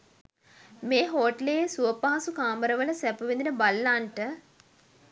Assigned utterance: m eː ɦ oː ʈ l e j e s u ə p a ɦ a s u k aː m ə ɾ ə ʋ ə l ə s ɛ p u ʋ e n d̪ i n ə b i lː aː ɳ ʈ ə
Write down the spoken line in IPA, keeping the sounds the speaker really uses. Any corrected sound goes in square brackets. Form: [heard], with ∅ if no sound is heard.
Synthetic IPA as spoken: m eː ɦ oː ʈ l e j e s u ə p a ɦ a s u k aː m ə ɾ ə ʋ ə l ə s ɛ p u ʋ e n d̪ i n ə b [a] lː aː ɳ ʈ ə